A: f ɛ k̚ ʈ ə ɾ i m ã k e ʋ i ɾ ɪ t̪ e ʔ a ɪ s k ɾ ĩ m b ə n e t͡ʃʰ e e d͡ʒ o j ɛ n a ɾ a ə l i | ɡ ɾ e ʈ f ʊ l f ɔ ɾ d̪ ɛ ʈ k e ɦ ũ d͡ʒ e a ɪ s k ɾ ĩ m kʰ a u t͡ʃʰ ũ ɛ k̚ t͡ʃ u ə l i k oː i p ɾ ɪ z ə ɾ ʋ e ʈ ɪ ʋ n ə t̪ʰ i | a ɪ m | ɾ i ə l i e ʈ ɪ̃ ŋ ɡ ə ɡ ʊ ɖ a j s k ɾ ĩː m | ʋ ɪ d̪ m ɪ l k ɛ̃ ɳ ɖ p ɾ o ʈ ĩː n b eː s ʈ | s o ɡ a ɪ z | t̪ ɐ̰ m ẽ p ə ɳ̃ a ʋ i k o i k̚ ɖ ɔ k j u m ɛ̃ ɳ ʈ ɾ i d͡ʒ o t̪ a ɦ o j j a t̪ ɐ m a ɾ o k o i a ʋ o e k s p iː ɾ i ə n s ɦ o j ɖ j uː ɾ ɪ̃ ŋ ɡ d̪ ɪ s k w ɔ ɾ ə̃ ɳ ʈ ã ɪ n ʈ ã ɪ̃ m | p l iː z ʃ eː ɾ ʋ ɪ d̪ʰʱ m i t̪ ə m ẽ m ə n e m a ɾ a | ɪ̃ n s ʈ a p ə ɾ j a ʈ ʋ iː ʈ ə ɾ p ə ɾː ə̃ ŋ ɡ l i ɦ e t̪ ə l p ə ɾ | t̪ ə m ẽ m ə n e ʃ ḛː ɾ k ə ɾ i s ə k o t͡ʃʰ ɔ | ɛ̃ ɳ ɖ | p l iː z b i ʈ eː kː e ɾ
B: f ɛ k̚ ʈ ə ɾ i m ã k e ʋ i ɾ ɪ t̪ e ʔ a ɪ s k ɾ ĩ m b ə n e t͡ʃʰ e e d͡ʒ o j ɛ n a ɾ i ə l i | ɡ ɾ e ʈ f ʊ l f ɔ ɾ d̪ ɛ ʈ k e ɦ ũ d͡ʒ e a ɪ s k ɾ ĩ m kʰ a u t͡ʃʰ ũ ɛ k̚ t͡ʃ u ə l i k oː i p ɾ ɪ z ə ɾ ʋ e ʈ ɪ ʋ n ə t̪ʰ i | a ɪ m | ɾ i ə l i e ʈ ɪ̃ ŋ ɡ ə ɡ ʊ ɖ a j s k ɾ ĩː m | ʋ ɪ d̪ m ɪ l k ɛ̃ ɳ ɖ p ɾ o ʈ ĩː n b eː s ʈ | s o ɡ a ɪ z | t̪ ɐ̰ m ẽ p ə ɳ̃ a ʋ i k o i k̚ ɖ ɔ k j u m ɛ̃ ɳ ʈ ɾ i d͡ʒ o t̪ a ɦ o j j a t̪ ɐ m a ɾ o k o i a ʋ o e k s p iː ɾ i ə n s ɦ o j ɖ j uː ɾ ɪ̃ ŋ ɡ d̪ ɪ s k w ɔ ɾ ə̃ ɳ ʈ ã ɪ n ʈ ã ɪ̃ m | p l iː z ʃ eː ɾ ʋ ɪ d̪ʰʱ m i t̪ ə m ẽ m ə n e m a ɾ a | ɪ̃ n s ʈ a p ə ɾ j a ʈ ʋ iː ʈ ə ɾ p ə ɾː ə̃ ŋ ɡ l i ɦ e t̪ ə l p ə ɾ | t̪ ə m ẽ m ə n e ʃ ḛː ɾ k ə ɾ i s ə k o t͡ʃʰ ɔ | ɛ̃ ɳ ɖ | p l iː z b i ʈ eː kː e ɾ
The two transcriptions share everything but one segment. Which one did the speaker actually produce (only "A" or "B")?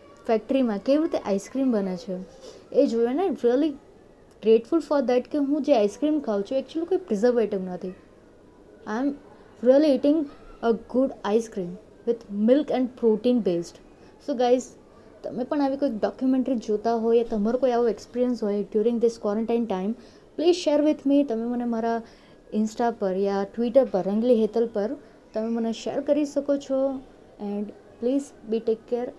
B